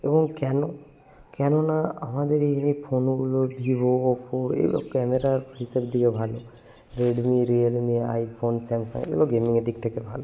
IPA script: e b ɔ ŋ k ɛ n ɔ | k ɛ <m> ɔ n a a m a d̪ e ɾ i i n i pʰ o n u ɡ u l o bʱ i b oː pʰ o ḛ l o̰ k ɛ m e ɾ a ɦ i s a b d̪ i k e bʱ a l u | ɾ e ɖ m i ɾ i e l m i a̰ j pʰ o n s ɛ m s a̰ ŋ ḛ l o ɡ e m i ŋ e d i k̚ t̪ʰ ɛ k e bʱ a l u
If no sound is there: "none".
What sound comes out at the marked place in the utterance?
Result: n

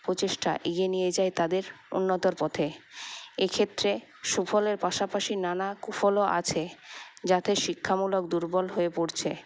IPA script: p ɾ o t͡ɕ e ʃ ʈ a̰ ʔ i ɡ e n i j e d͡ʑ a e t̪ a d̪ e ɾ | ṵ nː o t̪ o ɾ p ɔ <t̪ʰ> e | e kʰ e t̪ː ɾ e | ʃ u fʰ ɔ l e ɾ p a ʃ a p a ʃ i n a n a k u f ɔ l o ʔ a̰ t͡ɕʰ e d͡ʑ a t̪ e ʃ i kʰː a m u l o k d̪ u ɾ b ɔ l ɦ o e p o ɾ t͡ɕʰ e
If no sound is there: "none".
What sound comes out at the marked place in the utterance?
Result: t̪ʰ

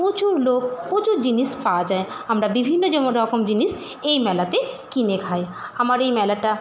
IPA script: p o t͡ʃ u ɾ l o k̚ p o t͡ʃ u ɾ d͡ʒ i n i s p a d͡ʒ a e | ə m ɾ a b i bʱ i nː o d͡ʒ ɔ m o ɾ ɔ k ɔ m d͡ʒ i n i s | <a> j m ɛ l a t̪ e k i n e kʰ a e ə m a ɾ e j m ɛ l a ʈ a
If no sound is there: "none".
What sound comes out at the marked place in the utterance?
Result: e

